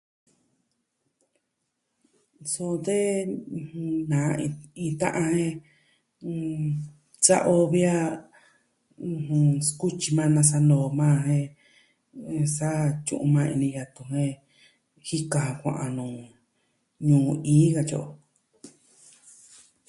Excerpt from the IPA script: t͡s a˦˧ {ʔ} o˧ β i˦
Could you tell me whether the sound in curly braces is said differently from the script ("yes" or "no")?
no